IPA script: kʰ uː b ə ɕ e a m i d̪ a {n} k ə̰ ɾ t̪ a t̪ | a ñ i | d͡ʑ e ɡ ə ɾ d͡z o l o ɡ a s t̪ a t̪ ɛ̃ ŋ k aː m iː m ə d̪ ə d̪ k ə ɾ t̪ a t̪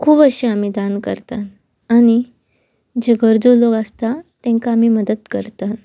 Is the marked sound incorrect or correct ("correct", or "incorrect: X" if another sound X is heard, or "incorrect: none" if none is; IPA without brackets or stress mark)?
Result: correct